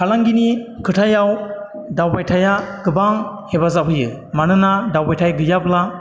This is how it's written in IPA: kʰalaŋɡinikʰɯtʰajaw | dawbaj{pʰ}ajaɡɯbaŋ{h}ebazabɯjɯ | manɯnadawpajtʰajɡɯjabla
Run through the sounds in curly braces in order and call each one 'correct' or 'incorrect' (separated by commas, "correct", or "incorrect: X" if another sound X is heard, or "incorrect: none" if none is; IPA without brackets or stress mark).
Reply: incorrect: tʰ, correct